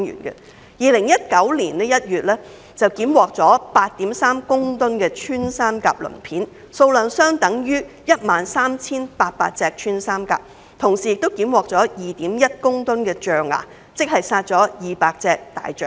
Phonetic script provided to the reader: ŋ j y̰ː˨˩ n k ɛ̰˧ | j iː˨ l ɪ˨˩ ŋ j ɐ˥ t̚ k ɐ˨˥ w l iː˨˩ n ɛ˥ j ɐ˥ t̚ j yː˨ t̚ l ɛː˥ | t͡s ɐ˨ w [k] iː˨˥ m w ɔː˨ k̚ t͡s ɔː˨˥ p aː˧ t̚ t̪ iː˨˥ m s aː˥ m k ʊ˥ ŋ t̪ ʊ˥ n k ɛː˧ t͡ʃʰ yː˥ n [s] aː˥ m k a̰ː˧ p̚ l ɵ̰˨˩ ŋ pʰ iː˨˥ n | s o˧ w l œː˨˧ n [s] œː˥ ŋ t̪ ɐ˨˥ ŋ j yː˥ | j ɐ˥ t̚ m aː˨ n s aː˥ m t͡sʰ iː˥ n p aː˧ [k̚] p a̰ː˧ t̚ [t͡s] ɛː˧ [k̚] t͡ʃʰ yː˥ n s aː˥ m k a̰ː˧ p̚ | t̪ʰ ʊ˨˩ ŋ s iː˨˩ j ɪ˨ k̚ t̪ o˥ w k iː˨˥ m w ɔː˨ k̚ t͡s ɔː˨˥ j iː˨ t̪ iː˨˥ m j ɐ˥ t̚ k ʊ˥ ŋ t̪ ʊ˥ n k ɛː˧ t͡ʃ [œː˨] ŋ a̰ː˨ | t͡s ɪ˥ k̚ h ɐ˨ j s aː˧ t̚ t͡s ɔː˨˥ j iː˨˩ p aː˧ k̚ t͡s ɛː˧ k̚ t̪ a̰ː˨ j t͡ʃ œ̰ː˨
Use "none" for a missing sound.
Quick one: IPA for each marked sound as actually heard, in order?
k, s, s, t̚, t͡s, k̚, œː˨

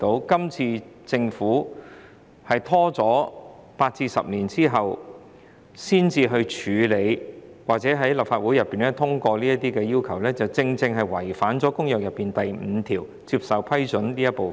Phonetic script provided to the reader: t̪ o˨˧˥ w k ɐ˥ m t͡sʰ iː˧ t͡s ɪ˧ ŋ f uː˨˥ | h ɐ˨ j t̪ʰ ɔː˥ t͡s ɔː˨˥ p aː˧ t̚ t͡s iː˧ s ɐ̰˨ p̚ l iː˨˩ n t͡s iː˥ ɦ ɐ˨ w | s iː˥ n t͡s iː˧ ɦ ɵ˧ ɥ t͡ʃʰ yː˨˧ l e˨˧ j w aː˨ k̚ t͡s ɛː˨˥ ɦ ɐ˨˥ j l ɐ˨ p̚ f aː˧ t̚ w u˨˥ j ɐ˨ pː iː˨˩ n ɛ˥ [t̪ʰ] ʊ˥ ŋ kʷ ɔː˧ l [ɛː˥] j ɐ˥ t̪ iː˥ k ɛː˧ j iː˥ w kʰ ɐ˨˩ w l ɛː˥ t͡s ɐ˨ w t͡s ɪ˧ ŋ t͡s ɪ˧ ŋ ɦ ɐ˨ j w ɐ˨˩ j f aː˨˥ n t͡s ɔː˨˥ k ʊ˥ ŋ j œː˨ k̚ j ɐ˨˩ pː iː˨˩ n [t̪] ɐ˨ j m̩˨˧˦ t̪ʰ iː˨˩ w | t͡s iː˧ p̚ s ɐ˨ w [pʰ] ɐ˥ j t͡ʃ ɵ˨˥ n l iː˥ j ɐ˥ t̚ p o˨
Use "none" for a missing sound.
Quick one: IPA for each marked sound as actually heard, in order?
t̪ʰ, iː˥, t̪, pʰ

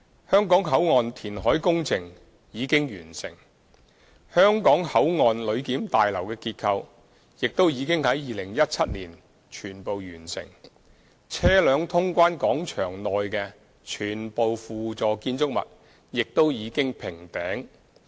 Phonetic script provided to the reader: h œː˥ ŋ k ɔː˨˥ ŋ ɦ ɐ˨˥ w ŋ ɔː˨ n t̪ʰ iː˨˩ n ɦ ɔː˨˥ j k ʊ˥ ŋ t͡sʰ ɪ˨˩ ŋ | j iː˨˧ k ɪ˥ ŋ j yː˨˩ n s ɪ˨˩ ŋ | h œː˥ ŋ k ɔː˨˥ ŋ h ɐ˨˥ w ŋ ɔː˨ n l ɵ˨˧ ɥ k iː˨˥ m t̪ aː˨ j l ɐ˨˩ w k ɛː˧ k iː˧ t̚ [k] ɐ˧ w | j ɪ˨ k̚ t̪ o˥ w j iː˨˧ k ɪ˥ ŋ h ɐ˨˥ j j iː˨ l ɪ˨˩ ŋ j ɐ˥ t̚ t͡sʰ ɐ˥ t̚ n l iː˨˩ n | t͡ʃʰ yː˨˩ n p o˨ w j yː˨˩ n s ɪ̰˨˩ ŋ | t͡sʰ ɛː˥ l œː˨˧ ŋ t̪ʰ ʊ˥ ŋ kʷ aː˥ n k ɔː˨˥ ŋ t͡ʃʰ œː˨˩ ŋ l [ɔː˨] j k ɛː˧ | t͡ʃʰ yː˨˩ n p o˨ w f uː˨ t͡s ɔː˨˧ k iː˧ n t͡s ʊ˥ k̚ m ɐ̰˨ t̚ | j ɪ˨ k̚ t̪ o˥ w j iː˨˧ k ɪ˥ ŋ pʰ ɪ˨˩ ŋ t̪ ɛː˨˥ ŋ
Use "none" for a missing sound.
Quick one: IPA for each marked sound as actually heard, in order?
kʰ, ɔː˨

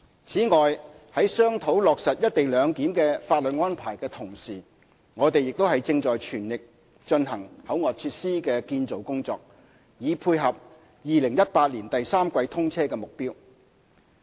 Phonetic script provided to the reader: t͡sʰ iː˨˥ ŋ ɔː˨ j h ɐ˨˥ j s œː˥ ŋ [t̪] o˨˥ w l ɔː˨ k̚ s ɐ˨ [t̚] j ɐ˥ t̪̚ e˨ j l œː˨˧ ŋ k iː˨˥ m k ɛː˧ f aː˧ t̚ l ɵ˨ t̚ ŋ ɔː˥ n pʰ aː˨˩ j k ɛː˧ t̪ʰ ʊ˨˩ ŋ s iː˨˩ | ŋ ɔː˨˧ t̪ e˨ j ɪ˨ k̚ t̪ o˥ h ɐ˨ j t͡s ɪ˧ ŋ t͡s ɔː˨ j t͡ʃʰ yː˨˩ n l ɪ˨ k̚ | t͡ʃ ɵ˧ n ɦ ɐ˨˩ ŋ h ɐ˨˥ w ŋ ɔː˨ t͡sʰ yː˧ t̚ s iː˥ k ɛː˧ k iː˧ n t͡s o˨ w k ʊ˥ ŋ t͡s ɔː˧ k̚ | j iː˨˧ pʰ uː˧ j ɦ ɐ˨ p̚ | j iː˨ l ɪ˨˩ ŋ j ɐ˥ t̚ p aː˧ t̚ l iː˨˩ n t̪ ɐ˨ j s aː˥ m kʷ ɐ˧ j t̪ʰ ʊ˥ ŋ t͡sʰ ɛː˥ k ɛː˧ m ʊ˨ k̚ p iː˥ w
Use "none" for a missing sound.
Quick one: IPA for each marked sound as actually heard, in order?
t̪ʰ, t̚

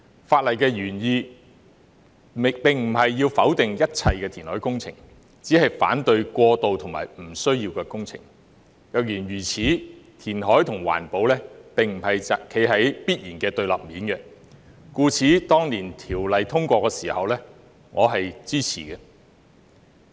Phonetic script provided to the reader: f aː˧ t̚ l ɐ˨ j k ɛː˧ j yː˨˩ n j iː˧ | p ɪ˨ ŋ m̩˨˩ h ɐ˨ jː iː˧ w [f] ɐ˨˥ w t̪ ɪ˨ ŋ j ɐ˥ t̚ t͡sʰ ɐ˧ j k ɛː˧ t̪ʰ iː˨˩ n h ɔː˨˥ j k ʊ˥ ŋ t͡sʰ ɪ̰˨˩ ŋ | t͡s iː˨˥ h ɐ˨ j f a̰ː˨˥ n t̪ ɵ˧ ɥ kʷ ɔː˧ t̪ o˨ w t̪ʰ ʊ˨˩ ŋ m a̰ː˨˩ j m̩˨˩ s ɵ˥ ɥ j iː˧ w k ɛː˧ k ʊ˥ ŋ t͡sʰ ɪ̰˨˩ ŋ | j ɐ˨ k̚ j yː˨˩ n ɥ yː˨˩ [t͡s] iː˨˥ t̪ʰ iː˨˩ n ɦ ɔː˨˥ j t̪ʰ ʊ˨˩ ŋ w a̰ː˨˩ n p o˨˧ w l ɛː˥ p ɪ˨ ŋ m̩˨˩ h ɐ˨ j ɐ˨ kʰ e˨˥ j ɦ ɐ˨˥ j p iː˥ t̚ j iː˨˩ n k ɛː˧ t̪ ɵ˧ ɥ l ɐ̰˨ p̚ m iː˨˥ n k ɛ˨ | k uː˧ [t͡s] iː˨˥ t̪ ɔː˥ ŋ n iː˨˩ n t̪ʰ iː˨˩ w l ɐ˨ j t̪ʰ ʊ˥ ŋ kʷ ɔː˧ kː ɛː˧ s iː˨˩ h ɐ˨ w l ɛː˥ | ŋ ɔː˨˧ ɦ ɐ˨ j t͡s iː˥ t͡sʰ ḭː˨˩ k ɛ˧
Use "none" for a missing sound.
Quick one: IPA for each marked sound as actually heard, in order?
f, t͡sʰ, t͡sʰ

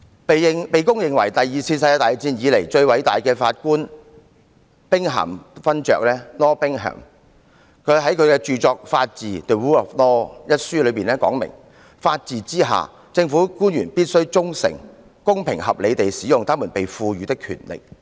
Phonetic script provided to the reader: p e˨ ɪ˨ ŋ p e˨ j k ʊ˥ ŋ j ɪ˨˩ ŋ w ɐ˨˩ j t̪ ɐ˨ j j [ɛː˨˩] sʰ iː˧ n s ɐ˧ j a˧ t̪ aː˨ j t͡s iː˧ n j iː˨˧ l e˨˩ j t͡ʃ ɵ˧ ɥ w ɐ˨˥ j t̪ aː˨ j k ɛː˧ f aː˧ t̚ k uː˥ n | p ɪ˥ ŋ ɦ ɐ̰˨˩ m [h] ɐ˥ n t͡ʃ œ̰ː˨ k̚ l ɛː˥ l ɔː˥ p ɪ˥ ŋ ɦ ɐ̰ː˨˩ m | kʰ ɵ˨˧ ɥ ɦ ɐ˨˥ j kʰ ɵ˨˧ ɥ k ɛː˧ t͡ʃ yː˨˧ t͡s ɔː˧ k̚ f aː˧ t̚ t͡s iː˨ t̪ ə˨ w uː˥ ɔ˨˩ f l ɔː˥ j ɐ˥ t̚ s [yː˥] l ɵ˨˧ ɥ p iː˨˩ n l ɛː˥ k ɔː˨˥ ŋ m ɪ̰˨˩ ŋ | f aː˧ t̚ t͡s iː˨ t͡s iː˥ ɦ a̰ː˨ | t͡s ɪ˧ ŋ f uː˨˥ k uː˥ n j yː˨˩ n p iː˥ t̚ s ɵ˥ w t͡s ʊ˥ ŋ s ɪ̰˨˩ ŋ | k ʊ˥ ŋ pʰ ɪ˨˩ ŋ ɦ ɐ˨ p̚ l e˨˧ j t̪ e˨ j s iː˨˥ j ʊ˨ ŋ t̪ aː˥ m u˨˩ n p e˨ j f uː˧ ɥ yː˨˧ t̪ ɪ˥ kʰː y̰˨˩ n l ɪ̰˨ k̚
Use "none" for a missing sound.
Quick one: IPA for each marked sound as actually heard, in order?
iː˨˩, f, yː˥

